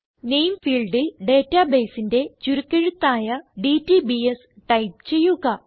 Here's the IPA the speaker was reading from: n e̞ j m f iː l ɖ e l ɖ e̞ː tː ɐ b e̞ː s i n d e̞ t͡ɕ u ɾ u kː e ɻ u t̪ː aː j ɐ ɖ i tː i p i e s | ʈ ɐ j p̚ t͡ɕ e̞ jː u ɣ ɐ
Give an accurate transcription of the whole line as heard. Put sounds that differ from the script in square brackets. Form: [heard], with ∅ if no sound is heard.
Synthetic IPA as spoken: n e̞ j m f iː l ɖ [i] l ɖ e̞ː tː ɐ b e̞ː s i n d e̞ t͡ɕ u ɾ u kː e ɻ u t̪ː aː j ɐ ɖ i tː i [b] i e s | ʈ ɐ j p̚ t͡ɕ e̞ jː u ɣ ɐ